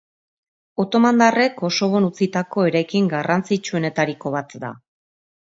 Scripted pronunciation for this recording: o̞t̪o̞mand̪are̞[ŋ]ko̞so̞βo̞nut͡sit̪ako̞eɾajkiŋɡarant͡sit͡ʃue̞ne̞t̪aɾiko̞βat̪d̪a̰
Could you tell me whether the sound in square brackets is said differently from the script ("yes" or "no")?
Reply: yes